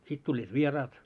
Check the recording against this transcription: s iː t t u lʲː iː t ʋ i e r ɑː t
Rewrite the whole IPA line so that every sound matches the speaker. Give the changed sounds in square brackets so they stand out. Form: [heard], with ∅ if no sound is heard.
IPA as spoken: s [i] t t u lʲː iː t ʋ i e r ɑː t